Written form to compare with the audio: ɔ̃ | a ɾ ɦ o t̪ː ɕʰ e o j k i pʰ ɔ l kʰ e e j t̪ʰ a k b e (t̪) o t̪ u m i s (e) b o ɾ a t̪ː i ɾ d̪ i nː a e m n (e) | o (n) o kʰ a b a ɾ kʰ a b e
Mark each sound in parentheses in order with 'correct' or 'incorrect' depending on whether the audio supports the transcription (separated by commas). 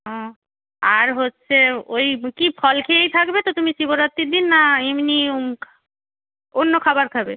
correct, incorrect, incorrect, incorrect